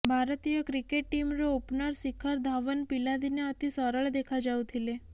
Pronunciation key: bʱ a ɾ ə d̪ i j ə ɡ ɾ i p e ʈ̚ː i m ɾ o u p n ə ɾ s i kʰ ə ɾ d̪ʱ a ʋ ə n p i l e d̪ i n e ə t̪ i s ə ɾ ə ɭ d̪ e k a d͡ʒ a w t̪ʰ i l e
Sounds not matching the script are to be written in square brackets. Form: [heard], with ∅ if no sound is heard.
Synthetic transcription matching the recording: bʱ a ɾ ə [t̪] i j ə [k] ɾ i [k] e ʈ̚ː i m ɾ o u p n ə ɾ s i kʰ ə ɾ d̪ʱ a ʋ ə n p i l [a] d̪ i n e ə t̪ i s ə ɾ ə ɭ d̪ e [kʰ] a d͡ʒ a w t̪ʰ i l e